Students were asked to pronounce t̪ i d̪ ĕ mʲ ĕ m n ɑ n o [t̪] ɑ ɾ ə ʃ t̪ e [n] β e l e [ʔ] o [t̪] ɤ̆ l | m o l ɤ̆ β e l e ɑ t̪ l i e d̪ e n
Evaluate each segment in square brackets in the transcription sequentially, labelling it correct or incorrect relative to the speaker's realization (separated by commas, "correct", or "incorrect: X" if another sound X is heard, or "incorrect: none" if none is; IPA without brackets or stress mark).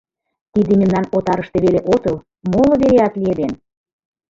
correct, incorrect: none, correct, correct